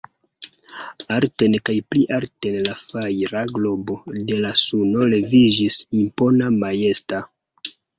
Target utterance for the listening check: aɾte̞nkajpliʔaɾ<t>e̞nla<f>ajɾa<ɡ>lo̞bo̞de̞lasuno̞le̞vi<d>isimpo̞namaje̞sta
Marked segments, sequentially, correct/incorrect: correct, correct, correct, incorrect

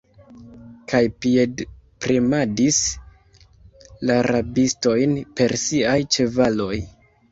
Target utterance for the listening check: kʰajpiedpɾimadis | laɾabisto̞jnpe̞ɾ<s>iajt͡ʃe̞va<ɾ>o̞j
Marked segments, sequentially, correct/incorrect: correct, incorrect

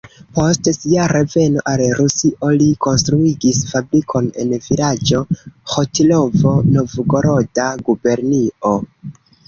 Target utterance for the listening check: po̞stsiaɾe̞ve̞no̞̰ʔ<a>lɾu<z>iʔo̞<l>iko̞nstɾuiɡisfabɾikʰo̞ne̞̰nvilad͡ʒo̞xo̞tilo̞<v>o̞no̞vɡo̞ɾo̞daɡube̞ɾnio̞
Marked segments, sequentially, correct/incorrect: correct, incorrect, correct, correct

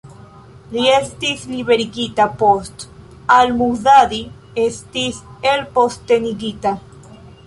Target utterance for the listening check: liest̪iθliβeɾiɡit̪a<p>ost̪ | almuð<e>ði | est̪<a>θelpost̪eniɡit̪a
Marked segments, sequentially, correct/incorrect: correct, incorrect, incorrect

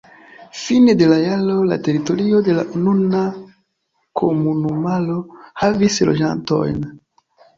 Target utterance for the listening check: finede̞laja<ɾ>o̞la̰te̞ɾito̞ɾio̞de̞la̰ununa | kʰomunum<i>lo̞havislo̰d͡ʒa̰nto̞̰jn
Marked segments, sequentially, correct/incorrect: incorrect, incorrect

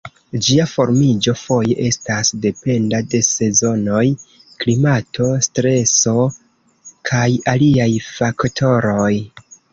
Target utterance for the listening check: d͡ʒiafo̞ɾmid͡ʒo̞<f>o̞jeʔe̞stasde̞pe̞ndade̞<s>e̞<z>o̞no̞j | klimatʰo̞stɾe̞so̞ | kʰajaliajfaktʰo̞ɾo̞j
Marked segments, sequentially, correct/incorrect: correct, correct, correct

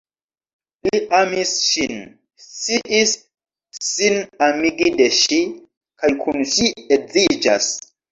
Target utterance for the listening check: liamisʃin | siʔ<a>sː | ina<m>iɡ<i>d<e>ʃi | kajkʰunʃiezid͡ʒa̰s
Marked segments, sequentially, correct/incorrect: incorrect, correct, correct, correct

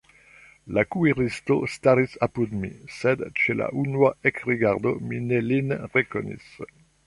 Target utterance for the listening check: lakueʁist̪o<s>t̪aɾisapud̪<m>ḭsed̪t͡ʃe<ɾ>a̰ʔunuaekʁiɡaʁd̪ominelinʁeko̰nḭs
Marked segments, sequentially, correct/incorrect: correct, correct, incorrect

